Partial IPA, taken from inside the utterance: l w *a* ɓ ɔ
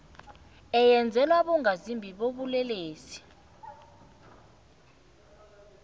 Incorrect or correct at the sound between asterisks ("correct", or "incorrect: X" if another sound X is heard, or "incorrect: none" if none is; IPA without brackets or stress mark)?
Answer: correct